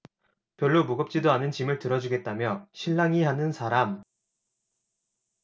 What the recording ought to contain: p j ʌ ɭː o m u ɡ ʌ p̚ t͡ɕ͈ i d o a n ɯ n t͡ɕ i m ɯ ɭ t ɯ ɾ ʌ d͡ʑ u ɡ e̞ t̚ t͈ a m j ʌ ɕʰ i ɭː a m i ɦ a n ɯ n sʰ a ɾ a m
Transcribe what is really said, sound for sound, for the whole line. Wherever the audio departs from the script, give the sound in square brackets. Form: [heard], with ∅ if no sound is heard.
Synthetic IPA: p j ʌ ɭː o m u ɡ ʌ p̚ t͡ɕ͈ i d o a n ɯ n t͡ɕ i m ɯ ɭ t ɯ ɾ ʌ d͡ʑ u ɡ e̞ t̚ t͈ a m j ʌ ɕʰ i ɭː a [ŋ] i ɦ a n ɯ n sʰ a ɾ a m